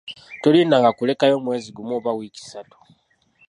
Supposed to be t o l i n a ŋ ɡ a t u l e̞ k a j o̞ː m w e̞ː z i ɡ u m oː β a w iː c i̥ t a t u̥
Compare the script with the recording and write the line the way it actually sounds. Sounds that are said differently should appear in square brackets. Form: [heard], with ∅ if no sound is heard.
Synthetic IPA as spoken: t o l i n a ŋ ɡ a [k] u l e̞ k a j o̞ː m w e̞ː z i ɡ u m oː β a w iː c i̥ [s] a t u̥

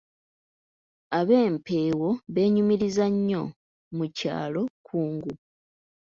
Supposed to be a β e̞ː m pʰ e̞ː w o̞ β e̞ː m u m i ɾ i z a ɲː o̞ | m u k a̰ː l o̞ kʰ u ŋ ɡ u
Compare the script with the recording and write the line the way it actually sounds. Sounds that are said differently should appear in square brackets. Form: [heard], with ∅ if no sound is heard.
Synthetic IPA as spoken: a β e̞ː m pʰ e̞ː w o̞ β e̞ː [ɲ] u m i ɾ i z a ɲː o̞ | m u [c] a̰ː l o̞ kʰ [uː] ŋ ɡ u

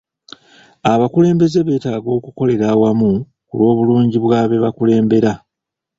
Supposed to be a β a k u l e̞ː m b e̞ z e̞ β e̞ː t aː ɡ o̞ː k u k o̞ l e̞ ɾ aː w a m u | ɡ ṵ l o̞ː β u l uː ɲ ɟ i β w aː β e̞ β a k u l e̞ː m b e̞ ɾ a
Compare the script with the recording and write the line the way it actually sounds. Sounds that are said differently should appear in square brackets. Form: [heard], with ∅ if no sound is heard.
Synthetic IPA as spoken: a β a k u l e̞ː m b e̞ z e̞ β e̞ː t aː ɡ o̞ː k u k o̞ l e̞ ɾ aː w a m u | [k] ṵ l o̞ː β u l uː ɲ ɟ i β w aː β e̞ β a k u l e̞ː m b e̞ ɾ a

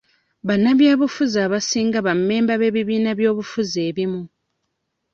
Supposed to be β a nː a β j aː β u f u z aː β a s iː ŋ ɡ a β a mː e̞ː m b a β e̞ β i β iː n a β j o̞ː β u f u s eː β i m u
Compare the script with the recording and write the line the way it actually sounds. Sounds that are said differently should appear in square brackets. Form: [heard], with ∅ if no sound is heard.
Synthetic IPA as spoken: β a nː a β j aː β u f u z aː β a s iː ŋ ɡ a β a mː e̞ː m b a β e̞ β i β iː n a β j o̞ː β u f u [z] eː β i m u

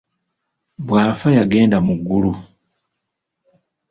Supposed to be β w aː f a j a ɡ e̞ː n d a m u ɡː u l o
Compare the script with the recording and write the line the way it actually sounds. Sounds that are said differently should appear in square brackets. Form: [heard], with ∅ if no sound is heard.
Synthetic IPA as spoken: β w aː f a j a ɡ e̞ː n d a m u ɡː u l [u]

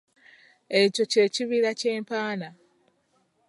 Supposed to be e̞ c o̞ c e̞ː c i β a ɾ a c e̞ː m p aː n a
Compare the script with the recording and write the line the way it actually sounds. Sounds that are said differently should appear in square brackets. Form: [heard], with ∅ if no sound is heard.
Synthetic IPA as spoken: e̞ c o̞ c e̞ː c i β [i] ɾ a c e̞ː m p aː n a

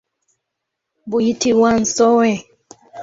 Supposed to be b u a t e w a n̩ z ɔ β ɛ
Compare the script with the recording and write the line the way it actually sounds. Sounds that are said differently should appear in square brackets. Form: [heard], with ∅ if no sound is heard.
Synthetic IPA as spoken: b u [i] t [i] w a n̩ [s] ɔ [w] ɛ

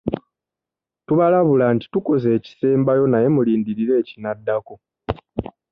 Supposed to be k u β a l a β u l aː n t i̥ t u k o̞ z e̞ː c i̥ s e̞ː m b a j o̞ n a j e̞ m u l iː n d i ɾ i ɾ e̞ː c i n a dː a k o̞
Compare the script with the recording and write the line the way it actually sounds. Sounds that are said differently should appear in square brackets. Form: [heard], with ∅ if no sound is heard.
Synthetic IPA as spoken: [t] u β a l a β u l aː n t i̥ t u k o̞ z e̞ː c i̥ s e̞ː m b a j o̞ n a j e̞ m u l iː n d i ɾ i ɾ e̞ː c i n a dː a k o̞

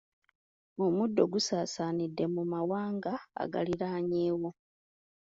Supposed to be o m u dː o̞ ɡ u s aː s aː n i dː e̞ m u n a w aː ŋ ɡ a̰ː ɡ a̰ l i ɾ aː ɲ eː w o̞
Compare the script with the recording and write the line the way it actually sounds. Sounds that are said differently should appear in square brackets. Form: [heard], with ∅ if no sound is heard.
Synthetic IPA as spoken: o m u dː o̞ ɡ u s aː s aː n i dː e̞ m u [m] a w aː ŋ ɡ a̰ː ɡ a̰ l i ɾ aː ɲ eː w o̞

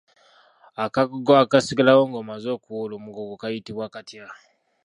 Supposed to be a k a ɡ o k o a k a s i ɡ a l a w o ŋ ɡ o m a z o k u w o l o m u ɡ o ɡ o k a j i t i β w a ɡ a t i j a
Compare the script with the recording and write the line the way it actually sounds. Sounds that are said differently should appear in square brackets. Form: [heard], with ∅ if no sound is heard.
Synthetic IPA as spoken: a k a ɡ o [ɡ] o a k a s i ɡ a l a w o ŋ ɡ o m a z o k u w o l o m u ɡ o ɡ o k a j i t i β w a [k] a t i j a

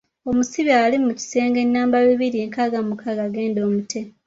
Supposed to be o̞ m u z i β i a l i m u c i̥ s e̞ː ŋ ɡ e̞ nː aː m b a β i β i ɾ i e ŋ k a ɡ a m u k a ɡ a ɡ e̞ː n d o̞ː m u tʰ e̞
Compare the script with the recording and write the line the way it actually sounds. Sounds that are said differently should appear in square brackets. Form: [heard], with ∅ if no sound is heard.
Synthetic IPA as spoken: o̞ m u [s] i β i a l i m u c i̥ s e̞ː ŋ ɡ e̞ nː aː m b a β i β i ɾ i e ŋ k a ɡ a m u k a ɡ a ɡ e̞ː n d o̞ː m u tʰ e̞

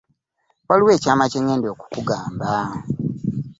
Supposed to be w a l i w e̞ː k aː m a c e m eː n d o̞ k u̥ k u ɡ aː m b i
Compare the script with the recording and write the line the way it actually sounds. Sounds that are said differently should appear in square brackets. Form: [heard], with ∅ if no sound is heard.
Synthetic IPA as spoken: w a l i w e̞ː [c] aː m a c e [ɲ] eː n d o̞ k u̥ k u ɡ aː m b [a]

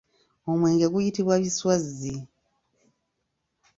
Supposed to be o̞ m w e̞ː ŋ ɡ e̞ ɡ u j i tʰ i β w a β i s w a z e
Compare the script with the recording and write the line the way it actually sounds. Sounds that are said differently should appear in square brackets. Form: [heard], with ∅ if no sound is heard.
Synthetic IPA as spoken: o̞ m w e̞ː ŋ ɡ e̞ ɡ u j i [t] i β w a β i s w a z [i]

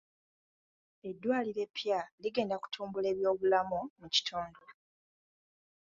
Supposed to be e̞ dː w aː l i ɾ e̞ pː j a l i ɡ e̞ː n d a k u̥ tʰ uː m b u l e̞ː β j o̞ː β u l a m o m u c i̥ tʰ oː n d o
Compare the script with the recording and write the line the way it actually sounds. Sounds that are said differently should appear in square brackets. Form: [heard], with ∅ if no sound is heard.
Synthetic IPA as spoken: e̞ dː w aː l i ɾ e̞ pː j a l i ɡ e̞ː n d a k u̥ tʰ uː m b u l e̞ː β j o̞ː β u l a m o m u c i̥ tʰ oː n d o

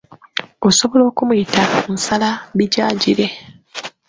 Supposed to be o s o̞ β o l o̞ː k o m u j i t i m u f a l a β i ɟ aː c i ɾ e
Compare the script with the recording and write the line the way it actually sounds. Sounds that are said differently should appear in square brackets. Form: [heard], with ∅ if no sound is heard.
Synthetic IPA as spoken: o s o̞ β o l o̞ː k [u] m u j i t [a] m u [s] a l a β i ɟ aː [ɟ] i ɾ e

